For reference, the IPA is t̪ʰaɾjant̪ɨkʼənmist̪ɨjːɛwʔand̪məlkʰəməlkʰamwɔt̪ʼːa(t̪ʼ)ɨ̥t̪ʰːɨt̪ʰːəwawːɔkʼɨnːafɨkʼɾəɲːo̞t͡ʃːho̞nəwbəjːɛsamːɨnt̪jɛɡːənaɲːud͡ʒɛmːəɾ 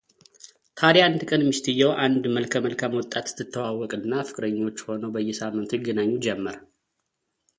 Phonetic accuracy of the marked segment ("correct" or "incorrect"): incorrect